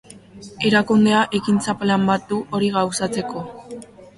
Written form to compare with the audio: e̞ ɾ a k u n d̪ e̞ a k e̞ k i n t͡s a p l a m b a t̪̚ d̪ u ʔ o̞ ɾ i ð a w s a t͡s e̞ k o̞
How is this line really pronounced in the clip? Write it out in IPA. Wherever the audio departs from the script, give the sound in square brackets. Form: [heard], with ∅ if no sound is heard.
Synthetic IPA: e̞ ɾ a k u n d̪ e̞ a [ʔ] e̞ k i n t͡s a p l a m b a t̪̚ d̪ u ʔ o̞ ɾ i [ɣ] a w s a t͡s e̞ k o̞